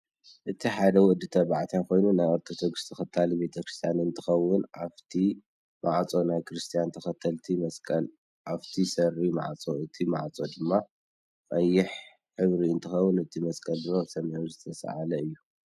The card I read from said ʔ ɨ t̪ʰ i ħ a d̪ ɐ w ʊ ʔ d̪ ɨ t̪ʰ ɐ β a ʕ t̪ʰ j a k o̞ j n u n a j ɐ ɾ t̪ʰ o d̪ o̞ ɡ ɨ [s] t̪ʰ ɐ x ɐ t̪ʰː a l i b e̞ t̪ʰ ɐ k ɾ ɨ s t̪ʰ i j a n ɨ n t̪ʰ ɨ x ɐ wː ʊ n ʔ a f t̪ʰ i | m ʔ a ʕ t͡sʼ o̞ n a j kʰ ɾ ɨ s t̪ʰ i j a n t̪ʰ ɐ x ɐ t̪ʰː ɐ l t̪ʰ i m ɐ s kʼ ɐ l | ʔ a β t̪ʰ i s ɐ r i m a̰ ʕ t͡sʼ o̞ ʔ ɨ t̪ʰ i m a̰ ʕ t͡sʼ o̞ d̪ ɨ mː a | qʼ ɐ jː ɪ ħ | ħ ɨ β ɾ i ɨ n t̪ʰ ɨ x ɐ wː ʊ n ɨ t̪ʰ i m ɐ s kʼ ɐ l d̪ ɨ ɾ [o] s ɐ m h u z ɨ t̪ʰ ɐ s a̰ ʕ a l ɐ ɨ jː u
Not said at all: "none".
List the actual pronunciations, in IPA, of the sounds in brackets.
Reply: s, o

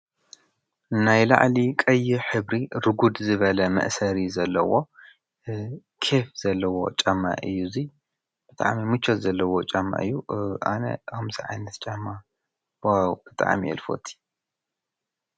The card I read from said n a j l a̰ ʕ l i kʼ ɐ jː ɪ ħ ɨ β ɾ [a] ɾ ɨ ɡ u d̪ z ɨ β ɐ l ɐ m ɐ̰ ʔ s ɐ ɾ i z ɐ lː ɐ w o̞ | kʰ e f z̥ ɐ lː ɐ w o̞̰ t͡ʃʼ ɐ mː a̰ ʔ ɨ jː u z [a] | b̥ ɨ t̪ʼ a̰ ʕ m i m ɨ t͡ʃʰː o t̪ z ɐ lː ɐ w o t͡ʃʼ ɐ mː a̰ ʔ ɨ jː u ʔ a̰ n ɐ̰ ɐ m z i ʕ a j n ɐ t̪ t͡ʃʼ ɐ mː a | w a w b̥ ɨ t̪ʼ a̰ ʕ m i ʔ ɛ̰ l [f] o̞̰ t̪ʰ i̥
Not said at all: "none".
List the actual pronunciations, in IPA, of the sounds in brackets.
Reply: i, i, f

